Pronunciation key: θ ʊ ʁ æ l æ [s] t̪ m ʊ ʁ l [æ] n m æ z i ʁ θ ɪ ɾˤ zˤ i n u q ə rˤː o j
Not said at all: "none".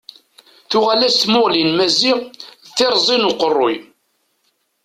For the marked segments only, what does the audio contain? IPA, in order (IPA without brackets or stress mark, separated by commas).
s, i